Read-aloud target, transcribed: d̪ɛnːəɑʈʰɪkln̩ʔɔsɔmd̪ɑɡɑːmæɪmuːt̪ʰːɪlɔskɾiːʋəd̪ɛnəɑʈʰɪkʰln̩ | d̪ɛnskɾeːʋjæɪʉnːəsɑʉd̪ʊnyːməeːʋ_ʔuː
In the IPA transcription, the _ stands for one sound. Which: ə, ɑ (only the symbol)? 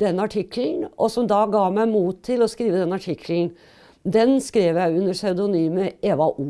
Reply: ɑ